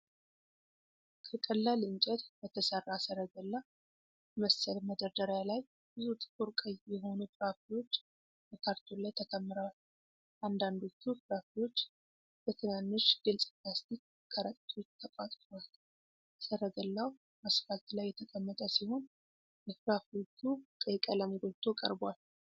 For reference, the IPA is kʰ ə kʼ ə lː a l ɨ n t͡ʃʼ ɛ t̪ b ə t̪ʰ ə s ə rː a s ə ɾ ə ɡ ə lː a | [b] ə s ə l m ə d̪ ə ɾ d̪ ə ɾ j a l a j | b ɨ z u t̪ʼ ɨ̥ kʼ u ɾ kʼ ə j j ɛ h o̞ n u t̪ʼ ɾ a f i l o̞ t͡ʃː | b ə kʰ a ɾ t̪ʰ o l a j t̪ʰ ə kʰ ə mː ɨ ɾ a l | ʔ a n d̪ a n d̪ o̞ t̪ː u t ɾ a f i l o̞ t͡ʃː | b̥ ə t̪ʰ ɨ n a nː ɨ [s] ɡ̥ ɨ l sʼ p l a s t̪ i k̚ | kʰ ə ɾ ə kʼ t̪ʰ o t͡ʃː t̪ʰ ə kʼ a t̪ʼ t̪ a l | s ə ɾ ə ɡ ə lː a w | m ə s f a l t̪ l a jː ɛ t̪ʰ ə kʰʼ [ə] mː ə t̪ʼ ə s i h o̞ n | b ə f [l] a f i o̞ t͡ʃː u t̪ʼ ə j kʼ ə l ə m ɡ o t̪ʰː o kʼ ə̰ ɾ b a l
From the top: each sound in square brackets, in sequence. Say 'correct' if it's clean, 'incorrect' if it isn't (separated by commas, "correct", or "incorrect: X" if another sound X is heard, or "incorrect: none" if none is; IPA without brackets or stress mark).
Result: incorrect: m, incorrect: ʃ, correct, incorrect: ɾ